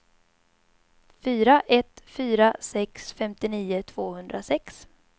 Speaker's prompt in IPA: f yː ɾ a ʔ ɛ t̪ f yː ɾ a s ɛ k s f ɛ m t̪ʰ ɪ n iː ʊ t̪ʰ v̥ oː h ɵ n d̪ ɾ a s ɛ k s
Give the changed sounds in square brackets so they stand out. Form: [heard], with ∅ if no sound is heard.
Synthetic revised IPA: f yː ɾ a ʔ ɛ t̪ f yː ɾ a s ɛ k s f ɛ m [t̪] ɪ n iː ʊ t̪ʰ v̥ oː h ɵ n d̪ ɾ a s ɛ k s